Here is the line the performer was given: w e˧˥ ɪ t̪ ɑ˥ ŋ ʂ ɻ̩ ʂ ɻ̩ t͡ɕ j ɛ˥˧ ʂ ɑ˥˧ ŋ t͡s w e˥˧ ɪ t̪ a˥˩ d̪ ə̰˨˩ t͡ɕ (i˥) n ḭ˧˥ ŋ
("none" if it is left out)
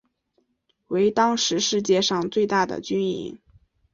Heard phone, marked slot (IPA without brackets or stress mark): y˥